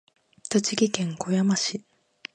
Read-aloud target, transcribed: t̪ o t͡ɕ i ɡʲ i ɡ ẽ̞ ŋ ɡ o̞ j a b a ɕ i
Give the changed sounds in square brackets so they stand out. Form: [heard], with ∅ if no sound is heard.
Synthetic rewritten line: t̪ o t͡ɕ i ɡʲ i [k] ẽ̞ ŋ [k] o̞ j a [m] a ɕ i

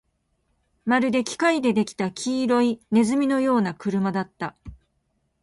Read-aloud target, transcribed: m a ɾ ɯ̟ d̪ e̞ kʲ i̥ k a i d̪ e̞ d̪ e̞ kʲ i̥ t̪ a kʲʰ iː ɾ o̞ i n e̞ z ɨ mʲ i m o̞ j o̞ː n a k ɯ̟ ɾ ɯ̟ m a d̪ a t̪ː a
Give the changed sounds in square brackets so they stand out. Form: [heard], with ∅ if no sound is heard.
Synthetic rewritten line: m a ɾ ɯ̟ d̪ e̞ kʲ i̥ k a i d̪ e̞ d̪ e̞ kʲ i̥ t̪ a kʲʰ iː ɾ o̞ i n e̞ z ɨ mʲ i [n] o̞ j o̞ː n a k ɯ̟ ɾ ɯ̟ m a d̪ a t̪ː a

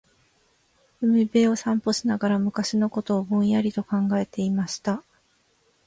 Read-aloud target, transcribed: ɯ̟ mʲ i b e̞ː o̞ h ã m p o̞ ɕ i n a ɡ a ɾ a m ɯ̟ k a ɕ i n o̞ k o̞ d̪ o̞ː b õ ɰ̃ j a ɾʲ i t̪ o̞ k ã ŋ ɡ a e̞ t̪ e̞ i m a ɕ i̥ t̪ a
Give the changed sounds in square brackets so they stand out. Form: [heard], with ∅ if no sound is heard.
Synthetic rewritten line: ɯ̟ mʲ i b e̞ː o̞ [s] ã m p o̞ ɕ i n a ɡ a ɾ a m ɯ̟ k a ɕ i n o̞ k o̞ [t̪] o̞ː b õ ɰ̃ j a ɾʲ i t̪ o̞ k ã ŋ ɡ a e̞ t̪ e̞ i m a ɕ i̥ t̪ a

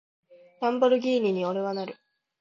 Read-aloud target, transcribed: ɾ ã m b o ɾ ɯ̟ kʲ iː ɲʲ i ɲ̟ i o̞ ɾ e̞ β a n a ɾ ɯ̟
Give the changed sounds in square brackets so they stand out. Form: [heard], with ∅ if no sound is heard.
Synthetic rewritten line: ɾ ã m b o ɾ ɯ̟ [ɡʲ] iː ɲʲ i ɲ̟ i o̞ ɾ e̞ β a n a ɾ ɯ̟

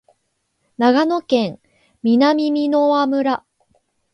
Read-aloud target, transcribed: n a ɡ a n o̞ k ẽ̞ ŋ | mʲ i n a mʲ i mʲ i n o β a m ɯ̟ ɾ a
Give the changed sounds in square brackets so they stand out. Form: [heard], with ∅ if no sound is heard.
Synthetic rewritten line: n a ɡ a n o̞ k ẽ̞ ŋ | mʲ i n a mʲ i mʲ i n o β a m ɯ̟ ɾ a

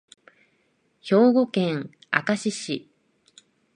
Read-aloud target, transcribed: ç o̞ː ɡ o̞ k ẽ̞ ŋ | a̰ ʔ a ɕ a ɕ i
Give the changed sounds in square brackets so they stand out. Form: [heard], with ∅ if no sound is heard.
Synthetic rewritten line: ç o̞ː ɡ o̞ k ẽ̞ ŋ | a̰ [k] a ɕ [i] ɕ i

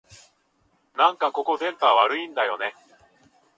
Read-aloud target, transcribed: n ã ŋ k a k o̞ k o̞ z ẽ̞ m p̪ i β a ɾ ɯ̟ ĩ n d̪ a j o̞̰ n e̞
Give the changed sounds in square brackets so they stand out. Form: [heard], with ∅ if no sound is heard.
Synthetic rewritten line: n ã ŋ k a k o̞ k o̞ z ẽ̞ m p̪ [a] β a ɾ ɯ̟ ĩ n d̪ a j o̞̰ n e̞

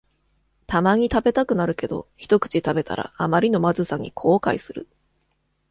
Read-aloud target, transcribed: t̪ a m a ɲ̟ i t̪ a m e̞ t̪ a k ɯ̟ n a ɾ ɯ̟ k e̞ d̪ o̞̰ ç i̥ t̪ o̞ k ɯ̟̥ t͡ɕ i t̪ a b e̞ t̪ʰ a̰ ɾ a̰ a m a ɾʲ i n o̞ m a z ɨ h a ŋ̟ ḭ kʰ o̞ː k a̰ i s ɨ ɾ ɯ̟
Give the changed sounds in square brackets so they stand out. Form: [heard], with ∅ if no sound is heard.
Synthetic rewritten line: t̪ a m a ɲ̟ i t̪ a [b] e̞ t̪ a k ɯ̟ n a ɾ ɯ̟ k e̞ d̪ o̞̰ ç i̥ t̪ o̞ k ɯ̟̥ t͡ɕ i t̪ a b e̞ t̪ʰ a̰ ɾ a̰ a m a ɾʲ i n o̞ m a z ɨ [s] a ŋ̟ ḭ kʰ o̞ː k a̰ i s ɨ ɾ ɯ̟

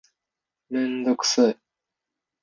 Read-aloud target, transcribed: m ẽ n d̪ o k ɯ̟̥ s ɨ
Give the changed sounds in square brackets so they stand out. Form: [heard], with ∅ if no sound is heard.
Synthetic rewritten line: m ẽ n d̪ o k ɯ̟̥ s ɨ

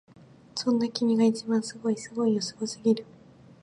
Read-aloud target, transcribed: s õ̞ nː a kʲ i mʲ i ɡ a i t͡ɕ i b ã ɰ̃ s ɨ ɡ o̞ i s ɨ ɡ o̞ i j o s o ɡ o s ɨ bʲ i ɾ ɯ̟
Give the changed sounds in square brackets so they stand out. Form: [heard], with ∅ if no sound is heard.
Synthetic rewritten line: s õ̞ nː a kʲ i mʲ i ɡ a i t͡ɕ i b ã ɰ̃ s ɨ ɡ o̞ i s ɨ ɡ o̞ i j o s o ɡ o s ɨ [ɡʲ] i ɾ ɯ̟

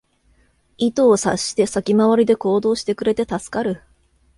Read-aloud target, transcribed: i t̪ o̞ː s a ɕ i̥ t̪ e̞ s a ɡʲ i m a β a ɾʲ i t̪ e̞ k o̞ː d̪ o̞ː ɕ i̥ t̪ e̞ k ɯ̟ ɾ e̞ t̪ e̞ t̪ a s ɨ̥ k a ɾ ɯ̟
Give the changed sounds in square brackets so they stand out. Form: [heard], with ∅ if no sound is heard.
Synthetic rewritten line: i t̪ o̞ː s a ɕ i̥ t̪ e̞ s a [kʲ] i m a β a ɾʲ i [d̪] e̞ k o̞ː d̪ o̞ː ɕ i̥ t̪ e̞ k ɯ̟ ɾ e̞ t̪ e̞ t̪ a s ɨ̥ k a ɾ ɯ̟

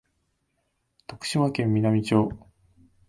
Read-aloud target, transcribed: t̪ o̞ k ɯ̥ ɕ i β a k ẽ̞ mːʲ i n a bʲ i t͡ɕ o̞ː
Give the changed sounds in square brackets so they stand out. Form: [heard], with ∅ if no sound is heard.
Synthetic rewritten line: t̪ o̞ k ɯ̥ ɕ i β a k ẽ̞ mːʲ i n a [mʲ] i t͡ɕ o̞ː

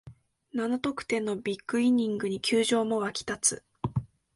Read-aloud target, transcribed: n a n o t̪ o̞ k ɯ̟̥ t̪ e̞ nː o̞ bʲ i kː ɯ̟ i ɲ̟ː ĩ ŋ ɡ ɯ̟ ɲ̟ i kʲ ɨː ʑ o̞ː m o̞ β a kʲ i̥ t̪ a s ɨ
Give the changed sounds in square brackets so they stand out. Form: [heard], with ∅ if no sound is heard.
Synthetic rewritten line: n a n o t̪ o̞ k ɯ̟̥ t̪ e̞ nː o̞ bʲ i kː ɯ̟ i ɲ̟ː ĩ ŋ ɡ ɯ̟ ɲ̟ i kʲ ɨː ʑ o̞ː m o̞ β a kʲ i̥ t̪ a [t͡s] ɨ

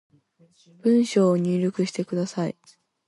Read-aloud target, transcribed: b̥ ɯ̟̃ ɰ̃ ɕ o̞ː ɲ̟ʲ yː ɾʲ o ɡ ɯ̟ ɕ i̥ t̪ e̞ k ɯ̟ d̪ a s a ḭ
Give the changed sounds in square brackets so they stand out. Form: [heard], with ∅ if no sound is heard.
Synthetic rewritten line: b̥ ɯ̟̃ ɰ̃ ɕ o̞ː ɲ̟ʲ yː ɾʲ o [k] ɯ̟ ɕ i̥ t̪ e̞ k ɯ̟ d̪ a s a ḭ

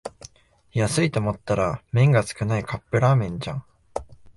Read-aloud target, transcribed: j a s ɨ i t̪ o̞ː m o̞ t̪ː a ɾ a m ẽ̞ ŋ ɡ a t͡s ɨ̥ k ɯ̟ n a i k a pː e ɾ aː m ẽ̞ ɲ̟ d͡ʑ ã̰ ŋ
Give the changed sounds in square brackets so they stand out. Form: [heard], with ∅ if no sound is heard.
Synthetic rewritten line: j a s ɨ i t̪ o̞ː m o̞ t̪ː a ɾ a m ẽ̞ ŋ ɡ a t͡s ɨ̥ k ɯ̟ n a i k a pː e ɾ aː m ẽ̞ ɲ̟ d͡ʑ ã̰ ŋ

